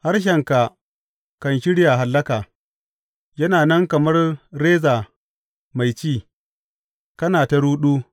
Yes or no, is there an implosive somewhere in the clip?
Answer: yes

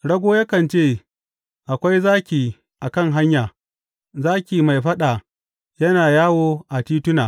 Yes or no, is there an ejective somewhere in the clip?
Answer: no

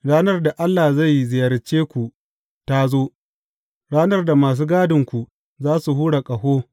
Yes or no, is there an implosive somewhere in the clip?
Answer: no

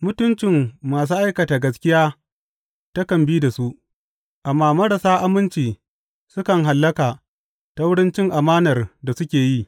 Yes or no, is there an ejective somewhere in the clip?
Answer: no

